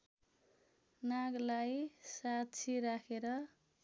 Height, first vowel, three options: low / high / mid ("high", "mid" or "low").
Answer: low